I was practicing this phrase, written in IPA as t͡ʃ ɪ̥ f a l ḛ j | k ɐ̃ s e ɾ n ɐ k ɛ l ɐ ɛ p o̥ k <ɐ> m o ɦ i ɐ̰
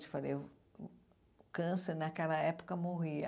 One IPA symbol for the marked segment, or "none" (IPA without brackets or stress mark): ɐ